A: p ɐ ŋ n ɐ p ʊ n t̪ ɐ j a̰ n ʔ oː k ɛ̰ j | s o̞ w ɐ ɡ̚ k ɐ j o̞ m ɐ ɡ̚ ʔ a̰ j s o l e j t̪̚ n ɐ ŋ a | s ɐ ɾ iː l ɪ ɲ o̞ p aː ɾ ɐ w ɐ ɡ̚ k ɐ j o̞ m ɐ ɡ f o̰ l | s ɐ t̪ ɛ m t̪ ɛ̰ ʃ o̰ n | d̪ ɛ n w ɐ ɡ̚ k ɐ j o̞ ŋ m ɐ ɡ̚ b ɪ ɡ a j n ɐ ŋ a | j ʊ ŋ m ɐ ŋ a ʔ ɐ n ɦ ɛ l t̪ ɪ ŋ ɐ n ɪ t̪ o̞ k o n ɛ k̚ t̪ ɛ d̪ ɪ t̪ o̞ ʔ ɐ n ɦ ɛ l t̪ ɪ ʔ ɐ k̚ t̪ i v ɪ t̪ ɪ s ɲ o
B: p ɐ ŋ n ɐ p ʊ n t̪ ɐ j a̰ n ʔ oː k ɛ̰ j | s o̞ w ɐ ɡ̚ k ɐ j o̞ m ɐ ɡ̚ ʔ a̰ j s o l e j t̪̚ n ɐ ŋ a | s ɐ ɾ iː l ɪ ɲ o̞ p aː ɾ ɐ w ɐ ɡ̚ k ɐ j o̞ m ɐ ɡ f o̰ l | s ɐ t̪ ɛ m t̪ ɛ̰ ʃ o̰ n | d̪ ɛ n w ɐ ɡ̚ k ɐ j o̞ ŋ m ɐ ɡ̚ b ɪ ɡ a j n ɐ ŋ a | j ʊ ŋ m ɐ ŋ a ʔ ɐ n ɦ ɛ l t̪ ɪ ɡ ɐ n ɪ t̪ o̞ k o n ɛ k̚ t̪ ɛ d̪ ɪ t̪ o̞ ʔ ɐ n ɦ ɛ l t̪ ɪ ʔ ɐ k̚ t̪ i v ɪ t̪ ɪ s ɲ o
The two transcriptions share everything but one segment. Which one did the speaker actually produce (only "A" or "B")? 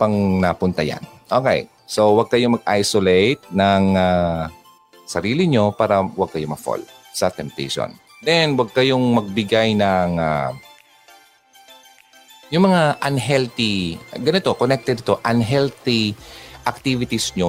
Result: B